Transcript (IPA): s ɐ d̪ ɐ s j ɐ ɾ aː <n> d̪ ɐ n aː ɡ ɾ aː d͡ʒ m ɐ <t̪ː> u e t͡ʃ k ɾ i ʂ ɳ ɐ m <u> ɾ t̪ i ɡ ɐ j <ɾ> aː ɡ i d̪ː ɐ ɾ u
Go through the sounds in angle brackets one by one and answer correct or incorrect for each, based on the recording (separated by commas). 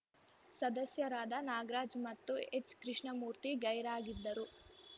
incorrect, correct, incorrect, correct